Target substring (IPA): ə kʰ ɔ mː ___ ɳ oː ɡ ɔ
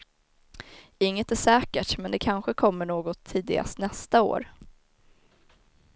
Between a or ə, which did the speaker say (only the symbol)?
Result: ə